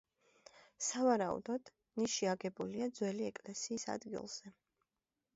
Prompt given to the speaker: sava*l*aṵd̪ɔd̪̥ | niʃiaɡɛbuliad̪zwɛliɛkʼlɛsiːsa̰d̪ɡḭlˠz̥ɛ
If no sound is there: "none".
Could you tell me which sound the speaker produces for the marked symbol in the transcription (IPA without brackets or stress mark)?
ɾ